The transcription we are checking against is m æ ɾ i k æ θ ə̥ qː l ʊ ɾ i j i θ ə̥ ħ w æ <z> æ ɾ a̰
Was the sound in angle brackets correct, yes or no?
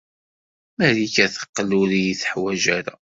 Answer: no